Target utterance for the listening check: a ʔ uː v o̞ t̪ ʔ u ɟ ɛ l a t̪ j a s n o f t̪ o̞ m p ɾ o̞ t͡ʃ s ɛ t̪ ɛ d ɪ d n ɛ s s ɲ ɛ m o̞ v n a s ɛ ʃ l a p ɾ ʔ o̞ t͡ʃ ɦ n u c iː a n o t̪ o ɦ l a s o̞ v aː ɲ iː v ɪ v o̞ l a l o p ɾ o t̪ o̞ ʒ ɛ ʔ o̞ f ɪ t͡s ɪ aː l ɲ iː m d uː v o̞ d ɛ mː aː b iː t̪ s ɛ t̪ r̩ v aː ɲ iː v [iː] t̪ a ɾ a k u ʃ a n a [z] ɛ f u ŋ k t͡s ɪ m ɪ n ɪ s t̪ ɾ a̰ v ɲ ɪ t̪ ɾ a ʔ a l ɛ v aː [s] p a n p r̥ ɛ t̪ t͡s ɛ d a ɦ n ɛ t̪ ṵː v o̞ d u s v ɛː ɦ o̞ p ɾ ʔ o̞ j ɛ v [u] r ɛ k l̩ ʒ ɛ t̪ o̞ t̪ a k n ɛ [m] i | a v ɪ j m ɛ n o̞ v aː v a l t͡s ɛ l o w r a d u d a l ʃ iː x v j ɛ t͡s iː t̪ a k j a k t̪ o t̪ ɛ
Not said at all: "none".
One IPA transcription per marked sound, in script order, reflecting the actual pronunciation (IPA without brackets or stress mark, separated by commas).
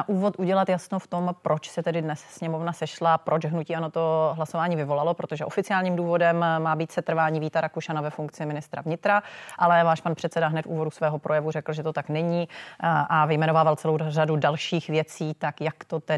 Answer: iː, v, ʃ, u, ɲ